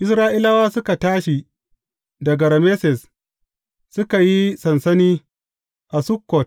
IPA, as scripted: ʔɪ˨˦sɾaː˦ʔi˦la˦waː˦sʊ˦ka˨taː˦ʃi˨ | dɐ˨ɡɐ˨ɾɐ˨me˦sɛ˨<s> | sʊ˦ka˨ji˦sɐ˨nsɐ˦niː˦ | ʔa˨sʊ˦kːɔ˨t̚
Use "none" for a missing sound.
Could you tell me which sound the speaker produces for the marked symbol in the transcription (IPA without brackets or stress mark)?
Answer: s